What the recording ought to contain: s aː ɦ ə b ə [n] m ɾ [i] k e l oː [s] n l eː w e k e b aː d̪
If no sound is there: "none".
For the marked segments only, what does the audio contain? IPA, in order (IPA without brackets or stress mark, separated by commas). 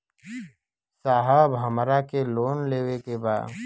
none, a, none